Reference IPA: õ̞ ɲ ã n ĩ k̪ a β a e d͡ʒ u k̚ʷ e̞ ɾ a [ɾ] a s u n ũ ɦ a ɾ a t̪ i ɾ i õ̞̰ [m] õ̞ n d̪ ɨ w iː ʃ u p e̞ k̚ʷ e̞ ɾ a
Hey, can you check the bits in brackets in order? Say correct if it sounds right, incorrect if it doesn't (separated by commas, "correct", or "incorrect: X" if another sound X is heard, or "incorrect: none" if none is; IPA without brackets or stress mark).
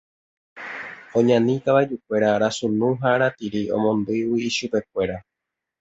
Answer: correct, correct